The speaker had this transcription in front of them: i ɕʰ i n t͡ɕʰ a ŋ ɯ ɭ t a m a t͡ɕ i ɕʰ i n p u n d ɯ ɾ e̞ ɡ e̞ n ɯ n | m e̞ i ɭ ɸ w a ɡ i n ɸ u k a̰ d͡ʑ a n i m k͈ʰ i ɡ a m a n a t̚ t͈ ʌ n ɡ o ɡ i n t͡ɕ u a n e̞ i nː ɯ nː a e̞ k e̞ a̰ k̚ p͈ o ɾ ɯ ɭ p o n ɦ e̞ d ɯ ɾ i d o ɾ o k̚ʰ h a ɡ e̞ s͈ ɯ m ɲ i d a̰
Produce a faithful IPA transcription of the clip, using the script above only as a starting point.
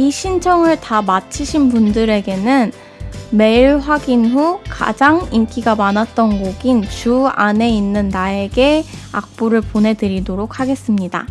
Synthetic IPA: i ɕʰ i n t͡ɕʰ ʌ ŋ ɯ ɭ t a m a t͡ɕʰ i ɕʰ i n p u n d ɯ ɾ e̞ ɡ e̞ n ɯ n | m e̞ i ɭ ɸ w a ɡ i n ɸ u k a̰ d͡ʑ a ŋ i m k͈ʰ i ɡ a m a n a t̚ t͈ ʌ n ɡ o ɡ i n t͡ɕ u a n e̞ i nː ɯ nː a e̞ ɡ e̞ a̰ k̚ p͈ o ɾ ɯ ɭ p o n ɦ e̞ d ɯ ɾ i d o ɾ o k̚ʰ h a ɡ e̞ s͈ ɯ m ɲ i d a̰

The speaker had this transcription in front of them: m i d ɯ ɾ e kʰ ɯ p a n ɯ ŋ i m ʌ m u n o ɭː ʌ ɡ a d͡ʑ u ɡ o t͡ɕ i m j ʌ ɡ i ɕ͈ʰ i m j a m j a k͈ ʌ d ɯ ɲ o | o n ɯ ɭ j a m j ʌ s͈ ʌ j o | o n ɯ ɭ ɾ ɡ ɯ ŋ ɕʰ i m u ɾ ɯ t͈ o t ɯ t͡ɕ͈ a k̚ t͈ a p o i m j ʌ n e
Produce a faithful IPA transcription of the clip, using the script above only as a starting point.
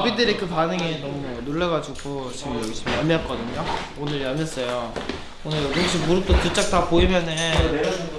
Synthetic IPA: b i d ɯ ɾ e k ɯ p a n ɯ ŋ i n ʌ m u n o ɭː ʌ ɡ a d͡ʑ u ɡ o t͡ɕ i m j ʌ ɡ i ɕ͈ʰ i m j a m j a k͈ ʌ d ɯ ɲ o | o n ɯ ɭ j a m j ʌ s͈ ʌ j o | o n ɯ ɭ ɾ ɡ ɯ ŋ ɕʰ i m u ɾ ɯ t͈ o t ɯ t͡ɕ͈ a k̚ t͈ a p o i m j ʌ n e

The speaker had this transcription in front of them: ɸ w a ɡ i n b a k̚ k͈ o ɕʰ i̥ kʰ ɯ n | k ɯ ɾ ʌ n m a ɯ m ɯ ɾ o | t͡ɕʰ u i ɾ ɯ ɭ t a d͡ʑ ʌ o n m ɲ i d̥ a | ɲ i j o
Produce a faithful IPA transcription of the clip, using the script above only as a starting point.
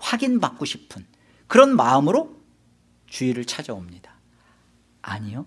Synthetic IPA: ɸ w a ɡ i n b a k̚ k͈ o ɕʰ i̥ pʰ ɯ n | k ɯ ɾ ʌ n m a ɯ m ɯ ɾ o | t͡ɕ u i ɾ ɯ ɭ t͡ɕʰ a d͡ʑ ʌ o m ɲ i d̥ a | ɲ i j o

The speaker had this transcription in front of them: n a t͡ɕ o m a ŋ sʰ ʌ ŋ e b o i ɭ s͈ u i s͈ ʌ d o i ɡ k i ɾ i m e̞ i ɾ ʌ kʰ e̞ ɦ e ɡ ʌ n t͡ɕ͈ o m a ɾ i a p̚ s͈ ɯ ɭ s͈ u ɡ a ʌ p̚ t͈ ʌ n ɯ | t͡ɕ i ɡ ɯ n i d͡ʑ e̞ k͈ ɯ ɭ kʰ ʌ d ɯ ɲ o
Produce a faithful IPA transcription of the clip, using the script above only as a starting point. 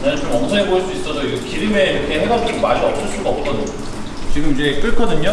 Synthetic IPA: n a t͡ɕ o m ʌ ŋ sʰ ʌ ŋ e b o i ɭ s͈ u i s͈ ʌ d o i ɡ k i ɾ i m e̞ i ɾ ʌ kʰ e̞ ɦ e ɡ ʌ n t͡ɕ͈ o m a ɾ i ʌ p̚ s͈ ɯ ɭ s͈ u ɡ a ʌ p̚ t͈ ʌ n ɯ | t͡ɕ i ɡ ɯ m i d͡ʑ e̞ k͈ ɯ ɭ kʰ ʌ d ɯ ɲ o

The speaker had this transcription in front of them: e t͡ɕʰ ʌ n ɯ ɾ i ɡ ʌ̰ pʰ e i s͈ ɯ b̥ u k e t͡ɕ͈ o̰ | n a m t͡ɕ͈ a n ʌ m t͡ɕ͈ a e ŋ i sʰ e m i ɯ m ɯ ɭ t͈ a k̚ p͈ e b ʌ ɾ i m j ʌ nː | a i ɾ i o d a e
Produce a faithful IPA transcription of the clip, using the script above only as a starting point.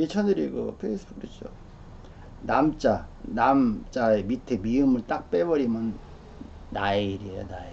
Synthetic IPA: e t͡ɕʰ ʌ n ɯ ɾ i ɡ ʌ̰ pʰ e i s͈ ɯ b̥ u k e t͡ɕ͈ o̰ | n a m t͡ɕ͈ a n a m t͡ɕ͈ a e m i tʰ e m i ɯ m ɯ ɭ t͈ a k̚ p͈ e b ʌ ɾ i m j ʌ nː | a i ɾ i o n a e

